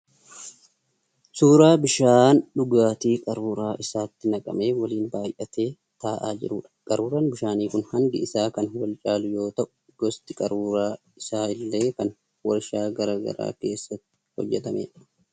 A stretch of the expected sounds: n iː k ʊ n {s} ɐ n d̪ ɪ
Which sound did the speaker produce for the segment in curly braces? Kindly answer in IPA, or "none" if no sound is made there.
h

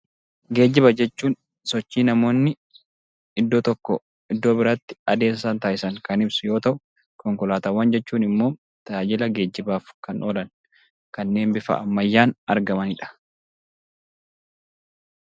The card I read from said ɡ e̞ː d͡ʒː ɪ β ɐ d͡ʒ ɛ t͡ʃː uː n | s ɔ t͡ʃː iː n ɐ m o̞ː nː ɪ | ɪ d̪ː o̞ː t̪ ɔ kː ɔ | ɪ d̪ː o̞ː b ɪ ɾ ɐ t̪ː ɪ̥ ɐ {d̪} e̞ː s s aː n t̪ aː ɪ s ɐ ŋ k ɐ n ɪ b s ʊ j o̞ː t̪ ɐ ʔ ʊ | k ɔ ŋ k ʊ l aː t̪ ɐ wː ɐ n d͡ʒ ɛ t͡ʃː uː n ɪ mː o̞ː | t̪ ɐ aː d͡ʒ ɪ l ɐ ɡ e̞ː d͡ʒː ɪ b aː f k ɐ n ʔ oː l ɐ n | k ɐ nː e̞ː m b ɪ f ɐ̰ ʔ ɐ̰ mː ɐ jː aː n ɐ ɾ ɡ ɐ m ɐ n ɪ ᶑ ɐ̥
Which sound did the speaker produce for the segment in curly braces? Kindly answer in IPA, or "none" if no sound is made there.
d̪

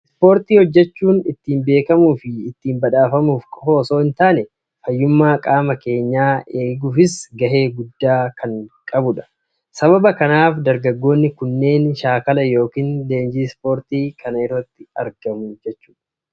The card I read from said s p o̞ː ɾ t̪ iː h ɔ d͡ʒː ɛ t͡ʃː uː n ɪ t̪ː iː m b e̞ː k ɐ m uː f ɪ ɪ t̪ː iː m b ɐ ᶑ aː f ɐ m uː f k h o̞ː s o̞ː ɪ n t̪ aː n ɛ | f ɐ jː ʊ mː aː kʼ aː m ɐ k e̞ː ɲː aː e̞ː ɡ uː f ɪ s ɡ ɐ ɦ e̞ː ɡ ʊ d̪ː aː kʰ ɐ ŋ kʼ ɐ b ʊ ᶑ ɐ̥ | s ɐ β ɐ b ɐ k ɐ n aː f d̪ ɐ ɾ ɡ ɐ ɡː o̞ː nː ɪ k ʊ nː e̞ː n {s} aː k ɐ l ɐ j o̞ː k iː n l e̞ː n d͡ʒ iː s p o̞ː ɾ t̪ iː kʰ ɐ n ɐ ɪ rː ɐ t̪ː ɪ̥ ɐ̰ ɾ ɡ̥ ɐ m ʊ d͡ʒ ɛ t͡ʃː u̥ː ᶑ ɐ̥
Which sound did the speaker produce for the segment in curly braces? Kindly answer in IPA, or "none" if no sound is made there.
ʃ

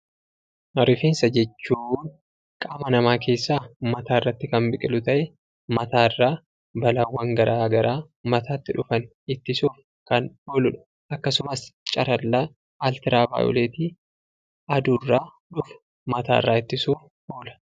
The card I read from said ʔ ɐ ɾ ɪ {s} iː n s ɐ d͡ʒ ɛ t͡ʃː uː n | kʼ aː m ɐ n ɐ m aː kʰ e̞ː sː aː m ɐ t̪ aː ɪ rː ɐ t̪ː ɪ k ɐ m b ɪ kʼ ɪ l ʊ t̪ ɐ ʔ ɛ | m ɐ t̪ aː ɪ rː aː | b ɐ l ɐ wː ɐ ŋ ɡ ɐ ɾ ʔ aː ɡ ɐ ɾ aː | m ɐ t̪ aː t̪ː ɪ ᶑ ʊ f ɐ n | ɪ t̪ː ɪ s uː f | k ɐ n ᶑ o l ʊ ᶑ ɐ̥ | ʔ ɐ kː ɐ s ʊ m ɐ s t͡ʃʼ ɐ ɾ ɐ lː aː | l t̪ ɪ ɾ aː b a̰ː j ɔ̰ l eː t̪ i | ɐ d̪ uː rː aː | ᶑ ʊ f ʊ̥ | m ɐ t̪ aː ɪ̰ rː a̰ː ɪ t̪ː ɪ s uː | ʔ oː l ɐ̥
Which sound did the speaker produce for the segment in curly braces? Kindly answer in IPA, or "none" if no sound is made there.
f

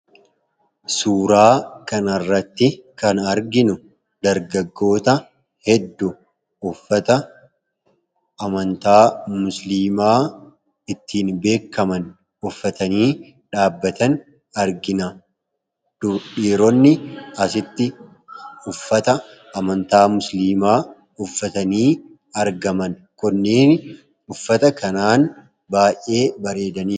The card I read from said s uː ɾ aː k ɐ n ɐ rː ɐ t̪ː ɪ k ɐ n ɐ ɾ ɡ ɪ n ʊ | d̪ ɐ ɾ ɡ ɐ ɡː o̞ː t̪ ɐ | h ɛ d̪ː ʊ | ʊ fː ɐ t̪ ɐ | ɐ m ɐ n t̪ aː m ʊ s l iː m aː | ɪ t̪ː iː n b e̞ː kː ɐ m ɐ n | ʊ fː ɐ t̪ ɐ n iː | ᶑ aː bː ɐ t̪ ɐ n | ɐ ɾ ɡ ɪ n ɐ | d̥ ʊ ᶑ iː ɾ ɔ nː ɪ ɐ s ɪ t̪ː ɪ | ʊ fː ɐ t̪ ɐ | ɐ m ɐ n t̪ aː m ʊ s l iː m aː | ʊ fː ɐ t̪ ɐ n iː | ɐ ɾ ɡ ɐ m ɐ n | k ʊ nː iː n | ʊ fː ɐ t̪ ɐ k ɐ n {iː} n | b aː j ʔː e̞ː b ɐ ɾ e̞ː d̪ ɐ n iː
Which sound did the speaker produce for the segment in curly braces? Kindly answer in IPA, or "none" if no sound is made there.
aː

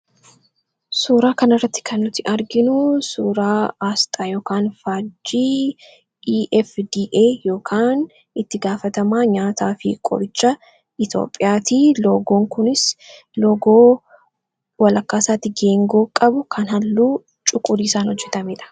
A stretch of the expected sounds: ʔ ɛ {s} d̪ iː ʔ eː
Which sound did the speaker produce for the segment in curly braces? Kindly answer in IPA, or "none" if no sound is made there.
f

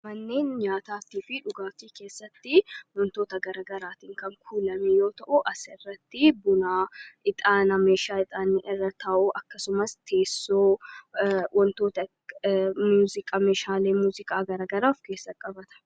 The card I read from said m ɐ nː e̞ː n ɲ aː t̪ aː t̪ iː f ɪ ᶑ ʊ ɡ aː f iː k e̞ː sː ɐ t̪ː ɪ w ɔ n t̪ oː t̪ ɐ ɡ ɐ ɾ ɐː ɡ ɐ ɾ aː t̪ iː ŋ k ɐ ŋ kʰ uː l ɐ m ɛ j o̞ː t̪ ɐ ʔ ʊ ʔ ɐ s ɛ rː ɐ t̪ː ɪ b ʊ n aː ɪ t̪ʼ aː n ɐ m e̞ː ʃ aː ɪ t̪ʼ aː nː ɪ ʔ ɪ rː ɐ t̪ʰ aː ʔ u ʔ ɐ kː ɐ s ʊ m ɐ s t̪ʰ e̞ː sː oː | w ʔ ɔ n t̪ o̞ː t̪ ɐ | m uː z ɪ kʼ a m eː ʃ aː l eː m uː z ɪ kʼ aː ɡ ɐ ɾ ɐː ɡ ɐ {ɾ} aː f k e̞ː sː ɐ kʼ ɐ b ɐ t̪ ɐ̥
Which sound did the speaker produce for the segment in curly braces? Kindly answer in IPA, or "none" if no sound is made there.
ɾ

